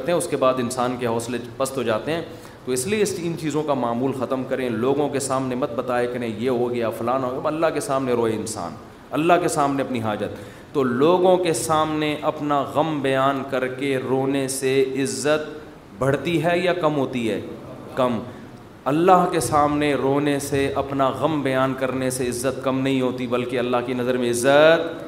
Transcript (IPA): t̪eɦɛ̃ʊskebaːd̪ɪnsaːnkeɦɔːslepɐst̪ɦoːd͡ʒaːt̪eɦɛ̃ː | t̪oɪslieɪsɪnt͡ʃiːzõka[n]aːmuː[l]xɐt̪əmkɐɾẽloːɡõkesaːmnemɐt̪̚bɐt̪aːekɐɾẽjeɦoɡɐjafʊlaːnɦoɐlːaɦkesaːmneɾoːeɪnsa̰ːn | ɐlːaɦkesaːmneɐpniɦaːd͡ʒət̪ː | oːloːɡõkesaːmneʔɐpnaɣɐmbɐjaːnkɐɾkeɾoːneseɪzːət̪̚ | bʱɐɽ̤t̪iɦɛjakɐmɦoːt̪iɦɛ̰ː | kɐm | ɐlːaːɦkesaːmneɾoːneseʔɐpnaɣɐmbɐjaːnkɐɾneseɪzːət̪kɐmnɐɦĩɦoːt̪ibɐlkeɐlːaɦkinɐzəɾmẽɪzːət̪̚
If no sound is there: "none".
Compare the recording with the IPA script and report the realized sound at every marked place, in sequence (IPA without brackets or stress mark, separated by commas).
m, l